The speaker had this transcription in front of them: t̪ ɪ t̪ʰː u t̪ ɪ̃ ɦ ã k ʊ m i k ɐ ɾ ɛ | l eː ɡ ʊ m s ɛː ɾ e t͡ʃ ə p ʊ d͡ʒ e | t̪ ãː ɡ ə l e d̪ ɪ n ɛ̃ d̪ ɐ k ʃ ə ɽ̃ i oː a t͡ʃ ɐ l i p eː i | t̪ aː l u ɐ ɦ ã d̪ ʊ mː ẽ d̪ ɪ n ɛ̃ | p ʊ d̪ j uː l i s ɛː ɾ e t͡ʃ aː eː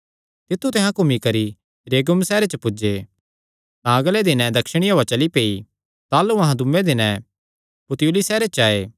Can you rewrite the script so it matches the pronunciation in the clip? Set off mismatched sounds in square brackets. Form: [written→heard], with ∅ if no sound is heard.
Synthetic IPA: t̪ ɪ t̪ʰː u t̪ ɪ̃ ɦ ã k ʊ m i k ɐ ɾ [ɛ→i] | [l→ɾ] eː ɡ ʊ m s ɛː ɾ e t͡ʃ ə p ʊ d͡ʒ e | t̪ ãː ɡ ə l e d̪ ɪ n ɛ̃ d̪ ɐ k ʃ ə ɽ̃ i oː a t͡ʃ ɐ l i p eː i | t̪ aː l u ɐ ɦ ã d̪ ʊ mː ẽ d̪ ɪ n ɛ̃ | p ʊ [d̪→t̪] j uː l i s ɛː ɾ e t͡ʃ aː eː